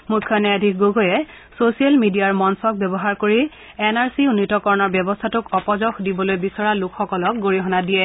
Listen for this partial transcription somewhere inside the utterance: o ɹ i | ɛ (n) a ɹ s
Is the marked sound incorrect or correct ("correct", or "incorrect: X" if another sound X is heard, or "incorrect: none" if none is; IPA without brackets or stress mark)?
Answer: correct